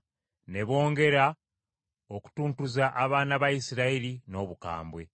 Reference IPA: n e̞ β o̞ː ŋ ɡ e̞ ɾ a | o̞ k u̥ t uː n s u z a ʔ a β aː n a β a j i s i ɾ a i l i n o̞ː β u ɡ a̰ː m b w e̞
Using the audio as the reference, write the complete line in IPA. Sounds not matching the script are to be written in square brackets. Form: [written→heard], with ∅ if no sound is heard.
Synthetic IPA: n e̞ β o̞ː ŋ ɡ e̞ ɾ a | o̞ k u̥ t uː n [s→t] u z a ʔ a β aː n a β a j i s i ɾ a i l i n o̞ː β u [ɡ→k] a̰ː m b w e̞